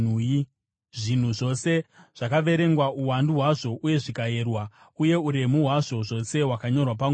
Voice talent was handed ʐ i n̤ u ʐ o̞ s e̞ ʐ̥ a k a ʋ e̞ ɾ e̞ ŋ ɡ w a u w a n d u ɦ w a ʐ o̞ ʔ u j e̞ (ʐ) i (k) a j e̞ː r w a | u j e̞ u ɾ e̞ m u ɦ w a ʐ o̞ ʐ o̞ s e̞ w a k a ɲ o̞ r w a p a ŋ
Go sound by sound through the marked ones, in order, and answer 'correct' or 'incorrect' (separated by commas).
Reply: correct, correct